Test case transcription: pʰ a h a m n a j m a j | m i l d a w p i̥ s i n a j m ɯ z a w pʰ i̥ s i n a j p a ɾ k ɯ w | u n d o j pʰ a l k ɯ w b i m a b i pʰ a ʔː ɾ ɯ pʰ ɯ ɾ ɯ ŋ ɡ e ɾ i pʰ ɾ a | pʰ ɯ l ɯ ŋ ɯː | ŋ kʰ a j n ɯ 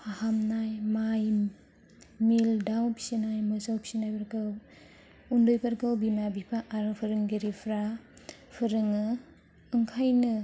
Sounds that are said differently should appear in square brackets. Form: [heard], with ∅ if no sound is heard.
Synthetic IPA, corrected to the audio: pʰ a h a m n a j m a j | m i l d a w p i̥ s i n a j m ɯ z a w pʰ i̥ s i n a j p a ɾ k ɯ w | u n d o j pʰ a [ɾ] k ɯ w b i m a b i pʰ a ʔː ɾ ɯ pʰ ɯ ɾ ɯ ŋ ɡ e ɾ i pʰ ɾ a | pʰ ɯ [ɾ] ɯ ŋ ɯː | ŋ kʰ a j n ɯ